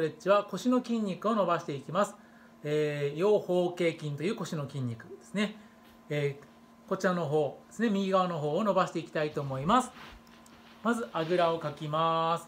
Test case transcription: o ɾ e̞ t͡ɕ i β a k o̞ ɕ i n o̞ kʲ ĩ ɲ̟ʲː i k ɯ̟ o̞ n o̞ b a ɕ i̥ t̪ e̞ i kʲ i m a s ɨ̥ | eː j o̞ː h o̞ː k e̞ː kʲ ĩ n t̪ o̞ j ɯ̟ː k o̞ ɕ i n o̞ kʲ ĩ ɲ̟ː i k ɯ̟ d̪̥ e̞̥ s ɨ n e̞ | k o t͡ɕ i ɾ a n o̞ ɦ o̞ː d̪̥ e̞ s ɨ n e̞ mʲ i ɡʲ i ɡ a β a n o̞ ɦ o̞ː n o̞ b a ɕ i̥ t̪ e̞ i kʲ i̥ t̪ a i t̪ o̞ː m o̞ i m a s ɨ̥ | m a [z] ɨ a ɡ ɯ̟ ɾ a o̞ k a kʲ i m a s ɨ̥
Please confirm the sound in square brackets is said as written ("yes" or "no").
yes